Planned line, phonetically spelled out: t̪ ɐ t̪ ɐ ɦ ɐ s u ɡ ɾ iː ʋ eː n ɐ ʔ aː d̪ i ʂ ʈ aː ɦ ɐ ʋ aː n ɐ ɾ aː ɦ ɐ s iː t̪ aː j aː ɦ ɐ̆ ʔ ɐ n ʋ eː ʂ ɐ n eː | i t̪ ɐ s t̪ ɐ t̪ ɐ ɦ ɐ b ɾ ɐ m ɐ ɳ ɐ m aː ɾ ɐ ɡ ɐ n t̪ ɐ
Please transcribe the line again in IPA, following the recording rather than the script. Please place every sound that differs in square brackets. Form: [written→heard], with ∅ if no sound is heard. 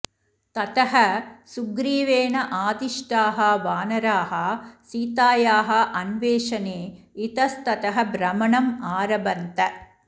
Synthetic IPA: t̪ ɐ t̪ ɐ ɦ ɐ s u ɡ ɾ iː ʋ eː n ɐ ʔ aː d̪ i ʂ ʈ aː ɦ ɐ ʋ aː n ɐ ɾ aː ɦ ɐ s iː t̪ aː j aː ɦ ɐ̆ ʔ ɐ n ʋ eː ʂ ɐ n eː | i t̪ ɐ s t̪ ɐ t̪ ɐ ɦ ɐ b ɾ ɐ m ɐ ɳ ɐ m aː ɾ ɐ [ɡ→b] ɐ n t̪ ɐ